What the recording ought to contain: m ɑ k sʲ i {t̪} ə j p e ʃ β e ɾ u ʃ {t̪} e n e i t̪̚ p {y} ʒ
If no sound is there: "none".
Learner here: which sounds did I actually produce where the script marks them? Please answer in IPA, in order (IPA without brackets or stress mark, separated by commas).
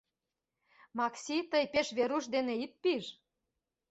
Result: t̪, d̪, i